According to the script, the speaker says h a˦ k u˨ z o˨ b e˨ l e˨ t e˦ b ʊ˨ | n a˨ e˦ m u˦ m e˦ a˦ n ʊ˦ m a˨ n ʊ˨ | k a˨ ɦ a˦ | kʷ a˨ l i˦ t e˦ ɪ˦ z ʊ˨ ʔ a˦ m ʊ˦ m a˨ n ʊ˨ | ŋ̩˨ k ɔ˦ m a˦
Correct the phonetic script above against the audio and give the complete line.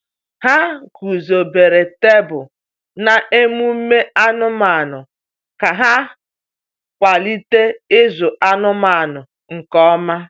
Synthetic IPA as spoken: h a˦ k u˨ z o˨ b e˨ ɾ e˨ t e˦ b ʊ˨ | n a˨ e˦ m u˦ m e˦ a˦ n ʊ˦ m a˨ n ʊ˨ | k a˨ ɦ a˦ | kʷ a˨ l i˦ t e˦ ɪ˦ z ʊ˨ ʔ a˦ n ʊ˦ m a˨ n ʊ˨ | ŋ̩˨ k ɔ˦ m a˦